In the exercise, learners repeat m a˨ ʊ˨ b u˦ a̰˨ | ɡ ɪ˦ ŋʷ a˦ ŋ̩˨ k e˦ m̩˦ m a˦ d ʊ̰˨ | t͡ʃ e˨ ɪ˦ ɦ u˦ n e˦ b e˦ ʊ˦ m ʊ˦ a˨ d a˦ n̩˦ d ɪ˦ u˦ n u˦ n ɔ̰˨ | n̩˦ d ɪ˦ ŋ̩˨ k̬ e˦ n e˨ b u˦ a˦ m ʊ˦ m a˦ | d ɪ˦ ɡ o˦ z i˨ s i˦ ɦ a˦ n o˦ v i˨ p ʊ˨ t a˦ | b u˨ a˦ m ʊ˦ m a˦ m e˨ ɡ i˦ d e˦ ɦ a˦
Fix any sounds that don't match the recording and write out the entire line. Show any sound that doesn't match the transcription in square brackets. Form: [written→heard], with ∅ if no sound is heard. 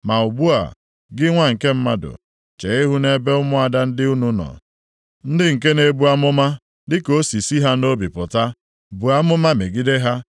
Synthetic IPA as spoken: m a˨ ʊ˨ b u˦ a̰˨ | ɡ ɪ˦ ŋʷ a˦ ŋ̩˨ k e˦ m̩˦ m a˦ d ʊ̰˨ | t͡ʃ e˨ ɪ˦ ɦ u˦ n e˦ b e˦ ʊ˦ m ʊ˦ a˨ d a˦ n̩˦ d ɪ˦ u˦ n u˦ n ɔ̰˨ | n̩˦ d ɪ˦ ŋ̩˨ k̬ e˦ n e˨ b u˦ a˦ m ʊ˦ m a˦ | d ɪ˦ [ɡ→k] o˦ [z→s] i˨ s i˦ ɦ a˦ n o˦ [v→b] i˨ p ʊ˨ t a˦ | b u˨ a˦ m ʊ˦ m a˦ m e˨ ɡ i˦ d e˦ ɦ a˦

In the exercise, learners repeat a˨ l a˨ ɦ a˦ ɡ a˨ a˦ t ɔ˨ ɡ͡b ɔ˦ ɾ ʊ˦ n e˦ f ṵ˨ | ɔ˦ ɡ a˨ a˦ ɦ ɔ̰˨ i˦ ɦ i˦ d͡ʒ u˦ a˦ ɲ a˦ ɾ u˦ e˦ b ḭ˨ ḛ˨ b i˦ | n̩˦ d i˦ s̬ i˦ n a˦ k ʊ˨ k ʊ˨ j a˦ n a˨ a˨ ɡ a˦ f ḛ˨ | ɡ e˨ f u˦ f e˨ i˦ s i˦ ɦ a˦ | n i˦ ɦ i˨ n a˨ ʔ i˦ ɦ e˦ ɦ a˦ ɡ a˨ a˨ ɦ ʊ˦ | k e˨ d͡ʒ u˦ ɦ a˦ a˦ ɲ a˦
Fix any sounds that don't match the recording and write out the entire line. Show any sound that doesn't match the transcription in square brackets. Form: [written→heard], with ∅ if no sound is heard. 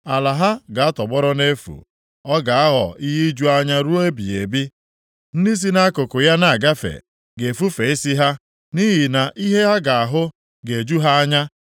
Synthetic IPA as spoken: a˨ l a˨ ɦ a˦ ɡ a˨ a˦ t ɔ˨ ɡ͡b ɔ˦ ɾ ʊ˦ n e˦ f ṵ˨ | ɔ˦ ɡ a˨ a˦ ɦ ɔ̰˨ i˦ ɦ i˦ d͡ʒ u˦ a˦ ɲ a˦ ɾ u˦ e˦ b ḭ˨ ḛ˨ b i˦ | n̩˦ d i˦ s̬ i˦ n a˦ k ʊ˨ k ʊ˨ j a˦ n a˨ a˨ ɡ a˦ f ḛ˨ | ɡ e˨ f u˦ f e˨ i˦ s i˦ ɦ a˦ | n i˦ ɦ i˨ n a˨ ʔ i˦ ɦ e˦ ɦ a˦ ɡ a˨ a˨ ɦ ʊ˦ | [k→ɡ] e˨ d͡ʒ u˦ ɦ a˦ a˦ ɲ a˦

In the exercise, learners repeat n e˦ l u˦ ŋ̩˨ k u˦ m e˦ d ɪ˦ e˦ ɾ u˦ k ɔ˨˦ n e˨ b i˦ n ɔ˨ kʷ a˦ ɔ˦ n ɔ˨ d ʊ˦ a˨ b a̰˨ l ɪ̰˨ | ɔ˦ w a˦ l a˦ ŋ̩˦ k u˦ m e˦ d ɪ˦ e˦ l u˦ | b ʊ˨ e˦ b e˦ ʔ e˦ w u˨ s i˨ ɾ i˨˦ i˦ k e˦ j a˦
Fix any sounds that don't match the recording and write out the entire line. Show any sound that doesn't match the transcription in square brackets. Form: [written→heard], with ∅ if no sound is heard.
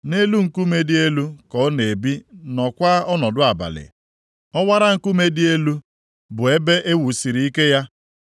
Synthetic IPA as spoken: n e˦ l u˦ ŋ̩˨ k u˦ m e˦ d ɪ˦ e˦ [ɾ→l] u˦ k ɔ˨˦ n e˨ b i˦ n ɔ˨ kʷ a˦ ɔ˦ n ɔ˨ d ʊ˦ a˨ b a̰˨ l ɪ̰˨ | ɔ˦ w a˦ [l→ɾ] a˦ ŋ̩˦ k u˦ m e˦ d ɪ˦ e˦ l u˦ | b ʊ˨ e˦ b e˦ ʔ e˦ w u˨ s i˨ ɾ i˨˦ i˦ k e˦ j a˦

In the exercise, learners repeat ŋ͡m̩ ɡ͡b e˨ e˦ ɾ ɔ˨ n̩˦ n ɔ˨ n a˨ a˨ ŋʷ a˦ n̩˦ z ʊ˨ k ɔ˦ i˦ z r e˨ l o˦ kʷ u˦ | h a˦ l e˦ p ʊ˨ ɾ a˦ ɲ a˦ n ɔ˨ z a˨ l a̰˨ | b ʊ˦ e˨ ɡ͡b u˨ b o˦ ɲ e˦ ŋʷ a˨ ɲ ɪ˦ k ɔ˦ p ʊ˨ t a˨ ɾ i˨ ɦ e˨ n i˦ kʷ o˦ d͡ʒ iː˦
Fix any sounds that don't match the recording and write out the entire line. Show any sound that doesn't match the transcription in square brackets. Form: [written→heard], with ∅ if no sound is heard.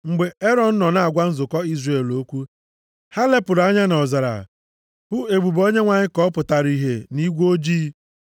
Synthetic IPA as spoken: ŋ͡m̩ ɡ͡b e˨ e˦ ɾ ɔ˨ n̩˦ n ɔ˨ n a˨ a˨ [ŋʷ→ɡʷ] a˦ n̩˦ z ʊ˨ k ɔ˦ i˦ z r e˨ l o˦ kʷ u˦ | h a˦ l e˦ p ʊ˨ ɾ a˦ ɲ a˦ n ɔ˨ z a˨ [l→ɾ] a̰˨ | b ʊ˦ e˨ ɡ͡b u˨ b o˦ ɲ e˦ ŋʷ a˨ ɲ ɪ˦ k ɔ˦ p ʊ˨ t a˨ ɾ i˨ ɦ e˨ n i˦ [kʷ→ɡʷ] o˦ d͡ʒ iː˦

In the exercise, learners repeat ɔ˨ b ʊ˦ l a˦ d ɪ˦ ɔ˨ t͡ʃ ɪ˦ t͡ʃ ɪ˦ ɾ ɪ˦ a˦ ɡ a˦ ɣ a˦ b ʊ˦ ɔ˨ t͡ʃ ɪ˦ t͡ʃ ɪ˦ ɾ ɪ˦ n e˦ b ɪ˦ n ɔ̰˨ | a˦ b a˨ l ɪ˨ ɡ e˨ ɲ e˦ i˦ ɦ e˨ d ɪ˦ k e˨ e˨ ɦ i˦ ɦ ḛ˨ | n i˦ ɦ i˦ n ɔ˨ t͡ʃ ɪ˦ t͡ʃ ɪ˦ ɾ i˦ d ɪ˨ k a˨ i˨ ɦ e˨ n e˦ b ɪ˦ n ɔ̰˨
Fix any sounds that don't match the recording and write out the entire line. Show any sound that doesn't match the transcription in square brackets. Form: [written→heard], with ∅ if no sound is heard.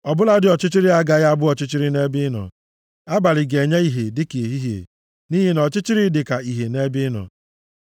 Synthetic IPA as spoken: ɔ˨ b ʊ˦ l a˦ d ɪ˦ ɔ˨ t͡ʃ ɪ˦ t͡ʃ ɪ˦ ɾ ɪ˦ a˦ ɡ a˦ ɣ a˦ b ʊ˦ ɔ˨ t͡ʃ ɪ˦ t͡ʃ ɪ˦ ɾ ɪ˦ n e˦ b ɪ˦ n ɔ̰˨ | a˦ b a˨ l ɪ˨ ɡ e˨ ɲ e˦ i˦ ɦ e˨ d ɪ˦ k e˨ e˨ ɦ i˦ ɦ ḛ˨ | n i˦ ɦ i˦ n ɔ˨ t͡ʃ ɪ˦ t͡ʃ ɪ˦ ɾ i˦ d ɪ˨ k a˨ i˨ ɦ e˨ n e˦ b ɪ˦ n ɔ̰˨

